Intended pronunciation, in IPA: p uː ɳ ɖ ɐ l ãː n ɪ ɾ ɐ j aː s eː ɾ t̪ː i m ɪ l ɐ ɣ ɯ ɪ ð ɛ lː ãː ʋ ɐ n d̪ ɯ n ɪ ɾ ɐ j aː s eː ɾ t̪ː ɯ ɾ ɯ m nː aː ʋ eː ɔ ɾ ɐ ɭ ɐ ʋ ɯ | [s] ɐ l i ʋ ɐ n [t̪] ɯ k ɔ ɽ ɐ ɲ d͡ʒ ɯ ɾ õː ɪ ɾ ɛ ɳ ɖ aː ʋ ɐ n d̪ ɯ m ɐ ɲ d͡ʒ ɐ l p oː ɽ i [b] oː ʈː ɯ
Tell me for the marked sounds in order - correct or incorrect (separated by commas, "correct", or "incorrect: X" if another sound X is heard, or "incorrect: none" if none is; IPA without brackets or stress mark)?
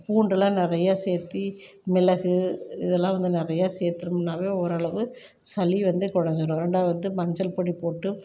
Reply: correct, incorrect: d̪, incorrect: p